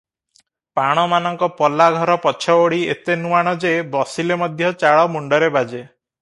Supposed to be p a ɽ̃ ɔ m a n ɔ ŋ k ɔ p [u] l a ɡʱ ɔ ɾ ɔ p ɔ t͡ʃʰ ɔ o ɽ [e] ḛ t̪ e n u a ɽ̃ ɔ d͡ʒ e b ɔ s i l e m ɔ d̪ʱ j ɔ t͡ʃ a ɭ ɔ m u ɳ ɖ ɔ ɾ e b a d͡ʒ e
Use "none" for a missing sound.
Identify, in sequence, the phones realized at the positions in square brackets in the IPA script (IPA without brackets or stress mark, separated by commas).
ɔ, i